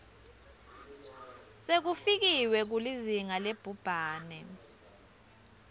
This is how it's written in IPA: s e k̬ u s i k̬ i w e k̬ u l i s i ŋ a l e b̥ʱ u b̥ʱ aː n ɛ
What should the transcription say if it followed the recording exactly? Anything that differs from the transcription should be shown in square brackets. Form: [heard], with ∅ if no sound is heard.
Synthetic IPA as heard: s e k̬ u [f] i k̬ i w [ɛ] k̬ u l i [z] i ŋ a l e b̥ʱ u b̥ʱ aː n ɛ